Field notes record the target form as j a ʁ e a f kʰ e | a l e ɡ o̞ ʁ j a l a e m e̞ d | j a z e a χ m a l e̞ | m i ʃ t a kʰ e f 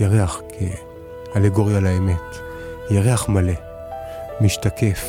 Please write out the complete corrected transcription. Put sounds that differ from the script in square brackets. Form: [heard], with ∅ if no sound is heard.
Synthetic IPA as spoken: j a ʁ e a [χ] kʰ e | a l e ɡ o̞ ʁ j a l a e m e̞ [t] | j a [ʁ] e a χ m a l e̞ | m i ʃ t a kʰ e f